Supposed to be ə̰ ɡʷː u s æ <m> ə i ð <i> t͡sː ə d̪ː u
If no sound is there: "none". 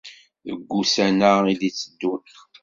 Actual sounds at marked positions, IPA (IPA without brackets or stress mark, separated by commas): n, i